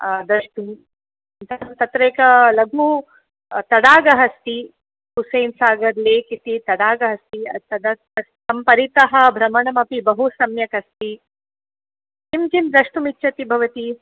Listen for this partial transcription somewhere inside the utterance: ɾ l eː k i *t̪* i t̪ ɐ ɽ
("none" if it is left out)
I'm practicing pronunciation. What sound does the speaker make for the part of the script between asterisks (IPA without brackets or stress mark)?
t̪